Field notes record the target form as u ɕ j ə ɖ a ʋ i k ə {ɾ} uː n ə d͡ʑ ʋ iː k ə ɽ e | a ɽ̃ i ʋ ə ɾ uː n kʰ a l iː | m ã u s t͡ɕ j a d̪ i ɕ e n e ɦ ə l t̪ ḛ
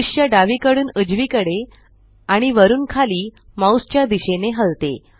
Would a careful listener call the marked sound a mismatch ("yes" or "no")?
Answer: yes